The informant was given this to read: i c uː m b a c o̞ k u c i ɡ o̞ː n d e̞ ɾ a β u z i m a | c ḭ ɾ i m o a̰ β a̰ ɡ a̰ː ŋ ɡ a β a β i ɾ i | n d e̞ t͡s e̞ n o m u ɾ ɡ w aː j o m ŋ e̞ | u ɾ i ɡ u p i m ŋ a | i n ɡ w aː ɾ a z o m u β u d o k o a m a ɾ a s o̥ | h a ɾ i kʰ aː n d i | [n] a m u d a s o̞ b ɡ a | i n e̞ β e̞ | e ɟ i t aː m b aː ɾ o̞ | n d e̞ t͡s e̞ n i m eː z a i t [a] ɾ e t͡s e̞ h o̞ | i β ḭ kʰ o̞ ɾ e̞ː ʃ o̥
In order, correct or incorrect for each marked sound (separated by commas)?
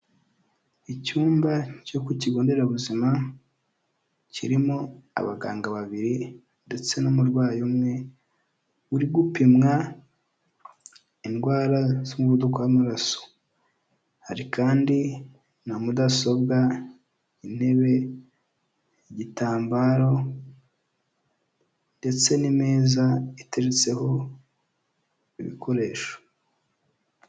correct, incorrect